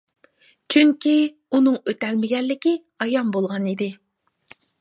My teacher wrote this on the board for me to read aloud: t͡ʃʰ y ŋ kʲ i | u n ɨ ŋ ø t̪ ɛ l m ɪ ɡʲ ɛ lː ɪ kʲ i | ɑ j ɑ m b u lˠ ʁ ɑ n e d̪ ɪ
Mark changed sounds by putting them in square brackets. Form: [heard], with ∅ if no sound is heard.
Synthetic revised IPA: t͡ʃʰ y ŋ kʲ i | u n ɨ ŋ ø t̪ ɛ l m ɪ ɡʲ ɛ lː ɪ kʲ i | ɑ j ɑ m b [o] lˠ ʁ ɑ n [i] d̪ ɪ